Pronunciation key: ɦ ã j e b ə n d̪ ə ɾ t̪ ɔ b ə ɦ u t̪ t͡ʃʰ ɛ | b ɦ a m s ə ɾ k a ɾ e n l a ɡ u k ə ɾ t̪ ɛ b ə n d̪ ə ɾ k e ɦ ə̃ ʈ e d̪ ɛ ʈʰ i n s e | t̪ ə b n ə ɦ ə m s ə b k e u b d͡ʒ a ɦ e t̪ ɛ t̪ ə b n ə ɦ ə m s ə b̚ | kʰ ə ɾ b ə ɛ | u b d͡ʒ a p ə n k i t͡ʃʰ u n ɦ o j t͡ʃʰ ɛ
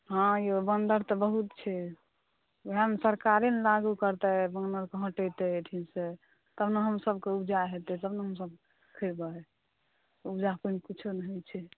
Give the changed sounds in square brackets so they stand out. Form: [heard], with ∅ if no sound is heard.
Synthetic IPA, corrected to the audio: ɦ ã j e b ə n d̪ ə ɾ t̪ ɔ b ə ɦ u t̪ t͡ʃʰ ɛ | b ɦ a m s ə ɾ k a ɾ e n l a ɡ u k ə ɾ t̪ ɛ b ə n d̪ ə ɾ k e ɦ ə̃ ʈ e [t̪] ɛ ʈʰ i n s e | t̪ ə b n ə ɦ ə m s ə b k e u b d͡ʒ a ɦ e t̪ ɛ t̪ ə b n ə ɦ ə m s ə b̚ | kʰ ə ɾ b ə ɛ | u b d͡ʒ a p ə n k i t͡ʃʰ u n ɦ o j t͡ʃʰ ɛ